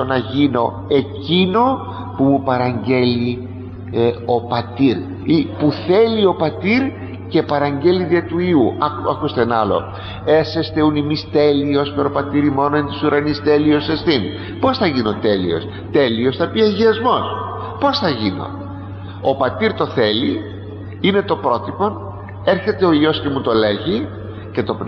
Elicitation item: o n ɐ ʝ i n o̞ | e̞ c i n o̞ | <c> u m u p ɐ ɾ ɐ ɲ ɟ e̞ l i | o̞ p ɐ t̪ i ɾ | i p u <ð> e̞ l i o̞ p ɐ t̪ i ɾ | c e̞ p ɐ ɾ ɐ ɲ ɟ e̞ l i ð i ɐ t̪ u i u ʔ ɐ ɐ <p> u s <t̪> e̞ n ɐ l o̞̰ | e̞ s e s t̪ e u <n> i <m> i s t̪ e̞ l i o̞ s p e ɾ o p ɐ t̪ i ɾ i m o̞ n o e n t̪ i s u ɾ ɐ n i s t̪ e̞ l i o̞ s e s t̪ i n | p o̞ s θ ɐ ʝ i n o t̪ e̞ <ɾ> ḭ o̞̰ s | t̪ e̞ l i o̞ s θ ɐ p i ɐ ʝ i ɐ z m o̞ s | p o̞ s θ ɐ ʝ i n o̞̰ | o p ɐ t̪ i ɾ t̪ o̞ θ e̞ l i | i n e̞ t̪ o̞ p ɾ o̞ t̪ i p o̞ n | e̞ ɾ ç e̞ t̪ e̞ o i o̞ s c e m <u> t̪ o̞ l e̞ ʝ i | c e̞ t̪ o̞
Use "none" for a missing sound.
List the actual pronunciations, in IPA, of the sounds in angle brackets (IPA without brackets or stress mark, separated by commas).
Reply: p, θ, k, t̪, n, m, l, u